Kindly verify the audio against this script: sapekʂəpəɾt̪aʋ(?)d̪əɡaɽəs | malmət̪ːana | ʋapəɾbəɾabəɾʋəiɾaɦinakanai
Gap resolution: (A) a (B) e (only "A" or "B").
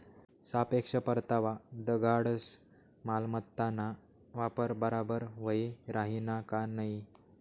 A